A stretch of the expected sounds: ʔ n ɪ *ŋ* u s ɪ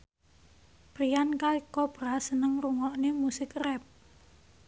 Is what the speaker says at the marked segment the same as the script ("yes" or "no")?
no